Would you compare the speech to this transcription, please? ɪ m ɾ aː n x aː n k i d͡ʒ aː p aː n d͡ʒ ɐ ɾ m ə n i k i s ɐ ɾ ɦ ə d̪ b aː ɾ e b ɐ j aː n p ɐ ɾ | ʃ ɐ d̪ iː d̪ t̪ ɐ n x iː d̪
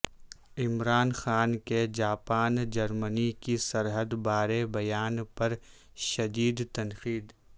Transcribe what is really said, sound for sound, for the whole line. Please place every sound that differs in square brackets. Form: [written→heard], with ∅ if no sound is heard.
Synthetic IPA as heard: ɪ m ɾ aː n x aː n k [i→e] d͡ʒ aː p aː n d͡ʒ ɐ ɾ m ə n i k i s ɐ ɾ ɦ ə d̪ b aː ɾ e b ɐ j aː n p ɐ ɾ | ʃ ɐ d̪ iː d̪ t̪ ɐ n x iː d̪